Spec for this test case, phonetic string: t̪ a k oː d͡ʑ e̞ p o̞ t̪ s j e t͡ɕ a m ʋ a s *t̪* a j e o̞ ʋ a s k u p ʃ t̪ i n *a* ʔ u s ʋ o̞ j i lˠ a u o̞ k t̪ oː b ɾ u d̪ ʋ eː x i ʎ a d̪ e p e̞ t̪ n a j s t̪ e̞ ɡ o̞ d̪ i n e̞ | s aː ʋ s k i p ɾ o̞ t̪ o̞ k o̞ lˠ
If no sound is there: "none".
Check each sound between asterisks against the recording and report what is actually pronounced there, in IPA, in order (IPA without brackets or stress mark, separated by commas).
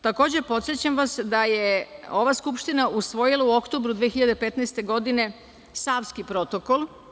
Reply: d̪, a